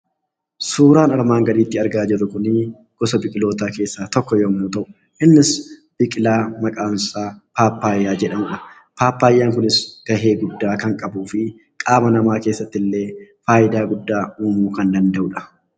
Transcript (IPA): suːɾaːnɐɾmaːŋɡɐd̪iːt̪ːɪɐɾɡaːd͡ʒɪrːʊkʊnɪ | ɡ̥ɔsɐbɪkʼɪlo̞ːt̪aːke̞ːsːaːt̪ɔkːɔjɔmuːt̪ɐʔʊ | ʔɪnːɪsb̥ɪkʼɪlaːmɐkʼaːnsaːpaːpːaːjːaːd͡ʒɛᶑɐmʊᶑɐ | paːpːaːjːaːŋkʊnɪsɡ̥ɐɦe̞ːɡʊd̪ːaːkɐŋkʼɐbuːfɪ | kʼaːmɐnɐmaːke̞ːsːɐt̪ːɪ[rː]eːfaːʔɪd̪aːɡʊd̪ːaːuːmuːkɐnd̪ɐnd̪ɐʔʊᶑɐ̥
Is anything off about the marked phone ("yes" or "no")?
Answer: yes